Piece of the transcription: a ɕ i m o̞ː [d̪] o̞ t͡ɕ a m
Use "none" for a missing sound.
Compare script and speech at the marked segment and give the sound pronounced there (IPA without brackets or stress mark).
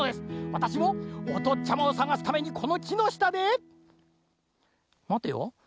t̪